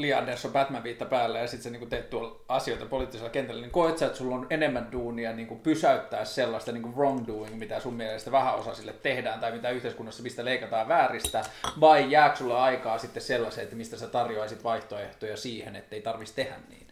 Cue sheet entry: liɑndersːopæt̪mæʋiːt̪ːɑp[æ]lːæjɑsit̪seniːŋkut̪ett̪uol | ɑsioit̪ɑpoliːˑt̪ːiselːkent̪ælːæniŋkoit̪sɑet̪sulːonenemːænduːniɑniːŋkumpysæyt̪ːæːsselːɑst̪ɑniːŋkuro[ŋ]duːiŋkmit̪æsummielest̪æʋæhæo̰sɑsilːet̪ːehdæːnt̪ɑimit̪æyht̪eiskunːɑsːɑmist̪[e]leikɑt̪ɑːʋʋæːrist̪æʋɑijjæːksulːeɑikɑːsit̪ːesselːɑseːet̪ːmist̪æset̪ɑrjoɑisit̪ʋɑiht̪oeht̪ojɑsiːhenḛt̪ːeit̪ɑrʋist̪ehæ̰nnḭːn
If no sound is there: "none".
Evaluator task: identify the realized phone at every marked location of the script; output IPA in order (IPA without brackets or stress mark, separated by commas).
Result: æː, ŋ, æ